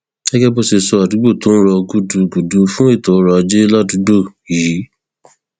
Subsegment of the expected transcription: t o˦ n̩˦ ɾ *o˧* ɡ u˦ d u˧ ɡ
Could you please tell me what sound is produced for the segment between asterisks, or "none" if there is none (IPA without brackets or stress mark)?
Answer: ɔ˧